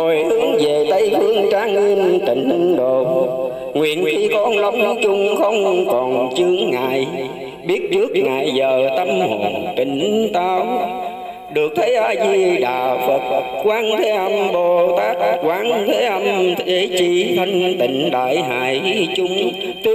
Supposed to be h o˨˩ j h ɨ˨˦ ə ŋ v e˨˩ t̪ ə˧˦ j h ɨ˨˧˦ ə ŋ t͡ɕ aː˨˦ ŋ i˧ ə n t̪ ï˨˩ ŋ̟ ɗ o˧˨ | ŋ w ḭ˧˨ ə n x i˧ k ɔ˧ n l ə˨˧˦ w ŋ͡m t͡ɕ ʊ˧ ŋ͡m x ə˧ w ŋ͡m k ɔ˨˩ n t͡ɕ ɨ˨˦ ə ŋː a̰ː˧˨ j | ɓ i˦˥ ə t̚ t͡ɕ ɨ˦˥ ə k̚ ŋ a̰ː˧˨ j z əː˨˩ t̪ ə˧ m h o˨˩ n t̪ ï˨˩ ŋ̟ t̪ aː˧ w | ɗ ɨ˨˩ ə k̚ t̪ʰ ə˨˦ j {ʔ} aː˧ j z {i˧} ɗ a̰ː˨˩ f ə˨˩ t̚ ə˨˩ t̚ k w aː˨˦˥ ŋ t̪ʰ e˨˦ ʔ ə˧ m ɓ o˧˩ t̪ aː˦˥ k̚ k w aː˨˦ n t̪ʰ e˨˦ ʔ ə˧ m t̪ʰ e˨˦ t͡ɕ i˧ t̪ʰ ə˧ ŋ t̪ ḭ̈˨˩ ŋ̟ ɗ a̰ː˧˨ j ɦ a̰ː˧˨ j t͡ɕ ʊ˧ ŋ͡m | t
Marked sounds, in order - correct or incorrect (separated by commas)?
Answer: correct, correct